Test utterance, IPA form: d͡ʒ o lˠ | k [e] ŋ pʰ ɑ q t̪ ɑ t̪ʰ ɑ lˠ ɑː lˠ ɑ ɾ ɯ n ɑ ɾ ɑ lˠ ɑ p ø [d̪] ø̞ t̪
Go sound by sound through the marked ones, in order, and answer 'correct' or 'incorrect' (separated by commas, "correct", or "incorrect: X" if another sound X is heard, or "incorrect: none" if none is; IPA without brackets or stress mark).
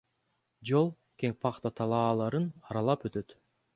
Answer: correct, incorrect: t̪